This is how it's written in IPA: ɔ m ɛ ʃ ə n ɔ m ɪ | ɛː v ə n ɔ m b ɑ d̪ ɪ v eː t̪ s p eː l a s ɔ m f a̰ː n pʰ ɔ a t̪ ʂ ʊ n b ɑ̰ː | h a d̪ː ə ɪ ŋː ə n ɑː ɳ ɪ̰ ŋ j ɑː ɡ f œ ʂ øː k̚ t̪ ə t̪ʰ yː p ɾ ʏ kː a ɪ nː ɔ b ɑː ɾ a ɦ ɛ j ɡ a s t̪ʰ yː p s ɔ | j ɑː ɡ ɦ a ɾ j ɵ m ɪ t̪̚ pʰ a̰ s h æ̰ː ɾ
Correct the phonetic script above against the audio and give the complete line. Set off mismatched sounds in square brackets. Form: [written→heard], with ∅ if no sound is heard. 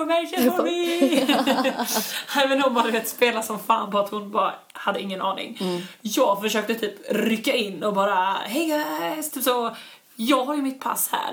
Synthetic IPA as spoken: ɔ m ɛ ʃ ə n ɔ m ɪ | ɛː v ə n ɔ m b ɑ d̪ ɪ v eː t̪ s p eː l a s ɔ m f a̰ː n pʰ ɔ a t̪ [ʂ→h] ʊ n b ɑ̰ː | h a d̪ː ə ɪ ŋː ə n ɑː [ɳ→n] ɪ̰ ŋ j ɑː ɡ f œ ʂ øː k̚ t̪ ə t̪ʰ yː p ɾ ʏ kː a ɪ nː ɔ b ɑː ɾ a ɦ ɛ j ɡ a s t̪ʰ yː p s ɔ | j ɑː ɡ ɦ a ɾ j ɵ m ɪ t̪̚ pʰ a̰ s h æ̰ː ɾ